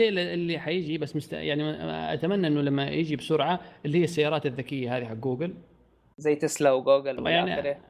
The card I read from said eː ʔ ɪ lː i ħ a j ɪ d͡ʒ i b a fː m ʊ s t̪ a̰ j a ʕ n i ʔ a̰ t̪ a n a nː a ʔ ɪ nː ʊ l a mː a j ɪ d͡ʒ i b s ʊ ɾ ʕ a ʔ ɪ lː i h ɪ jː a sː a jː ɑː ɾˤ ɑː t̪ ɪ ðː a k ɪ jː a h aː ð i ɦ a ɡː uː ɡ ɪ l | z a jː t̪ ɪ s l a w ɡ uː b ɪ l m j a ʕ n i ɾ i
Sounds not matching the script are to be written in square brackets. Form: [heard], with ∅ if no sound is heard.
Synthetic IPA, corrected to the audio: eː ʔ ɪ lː i ħ a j ɪ d͡ʒ i b a [sː] m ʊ s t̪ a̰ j a ʕ n i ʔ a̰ t̪ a [m] a nː a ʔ ɪ nː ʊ l a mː a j ɪ d͡ʒ i b s ʊ ɾ ʕ a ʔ ɪ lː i h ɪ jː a sː a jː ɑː ɾˤ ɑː t̪ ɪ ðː a k ɪ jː a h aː ð i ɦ a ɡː uː ɡ ɪ l | z a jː t̪ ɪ s l a w ɡ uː [ɡ] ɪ l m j a ʕ n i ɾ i